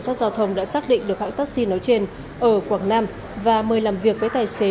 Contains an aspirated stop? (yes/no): yes